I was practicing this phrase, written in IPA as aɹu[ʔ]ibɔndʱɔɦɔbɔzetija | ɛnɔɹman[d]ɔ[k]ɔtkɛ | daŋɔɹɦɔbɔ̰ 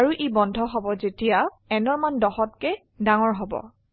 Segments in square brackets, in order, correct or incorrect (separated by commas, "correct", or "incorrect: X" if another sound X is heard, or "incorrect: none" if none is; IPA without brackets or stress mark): correct, correct, incorrect: x